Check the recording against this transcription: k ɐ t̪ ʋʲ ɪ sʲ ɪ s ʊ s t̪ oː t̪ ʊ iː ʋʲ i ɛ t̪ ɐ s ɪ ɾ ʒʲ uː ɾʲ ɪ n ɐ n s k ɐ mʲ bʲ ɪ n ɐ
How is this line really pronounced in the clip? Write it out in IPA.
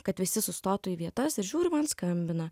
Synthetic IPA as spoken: k ɐ t̪ ʋʲ ɪ sʲ ɪ s ʊ s t̪ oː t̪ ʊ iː ʋʲ i ɛ t̪ ɐ s ɪ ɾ ʒʲ uː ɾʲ ɪ m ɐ n s k ɐ mʲ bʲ ɪ n ɐ